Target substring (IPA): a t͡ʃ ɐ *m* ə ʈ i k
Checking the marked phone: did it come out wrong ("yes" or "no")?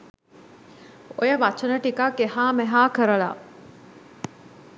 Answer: yes